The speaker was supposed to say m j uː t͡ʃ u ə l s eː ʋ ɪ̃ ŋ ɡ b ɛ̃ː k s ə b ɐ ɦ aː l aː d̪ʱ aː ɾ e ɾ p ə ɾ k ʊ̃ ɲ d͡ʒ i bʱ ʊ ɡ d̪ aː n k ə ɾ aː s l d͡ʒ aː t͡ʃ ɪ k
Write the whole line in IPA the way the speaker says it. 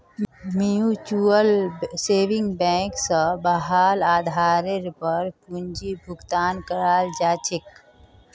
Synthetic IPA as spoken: m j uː t͡ʃ u ə l s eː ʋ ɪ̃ ŋ ɡ b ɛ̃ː k s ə b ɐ ɦ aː l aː d̪ʱ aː ɾ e ɾ p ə ɾ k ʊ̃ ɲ d͡ʒ i bʱ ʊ ɡ t̪ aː n k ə ɾ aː l d͡ʒ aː t͡ʃ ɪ k